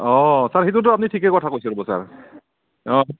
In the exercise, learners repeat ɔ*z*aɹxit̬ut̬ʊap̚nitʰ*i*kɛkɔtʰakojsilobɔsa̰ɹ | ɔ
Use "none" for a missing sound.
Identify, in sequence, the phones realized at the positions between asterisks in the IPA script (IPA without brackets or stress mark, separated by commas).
s, i